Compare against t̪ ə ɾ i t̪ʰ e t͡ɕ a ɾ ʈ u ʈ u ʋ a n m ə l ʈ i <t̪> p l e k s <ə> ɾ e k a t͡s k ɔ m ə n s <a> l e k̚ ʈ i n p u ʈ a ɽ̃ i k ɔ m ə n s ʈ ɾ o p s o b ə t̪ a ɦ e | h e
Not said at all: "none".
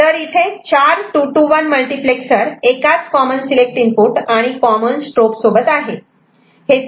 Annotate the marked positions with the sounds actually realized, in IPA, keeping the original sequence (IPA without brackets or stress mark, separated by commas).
none, ə, i